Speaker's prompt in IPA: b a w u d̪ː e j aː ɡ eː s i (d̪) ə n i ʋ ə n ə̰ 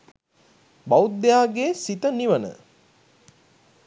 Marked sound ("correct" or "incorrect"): incorrect